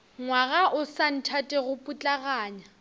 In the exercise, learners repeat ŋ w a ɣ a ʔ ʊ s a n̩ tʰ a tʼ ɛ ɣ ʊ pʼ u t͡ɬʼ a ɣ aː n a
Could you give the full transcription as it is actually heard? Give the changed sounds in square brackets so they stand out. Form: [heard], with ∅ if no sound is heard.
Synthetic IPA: ŋ w a ɣ a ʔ ʊ s a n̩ tʰ a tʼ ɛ ɣ ʊ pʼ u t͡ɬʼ a ɣ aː [ɲ] a